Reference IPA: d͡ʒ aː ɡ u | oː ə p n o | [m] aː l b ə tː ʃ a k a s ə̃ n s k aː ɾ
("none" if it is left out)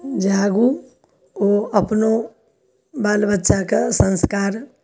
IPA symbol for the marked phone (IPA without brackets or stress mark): b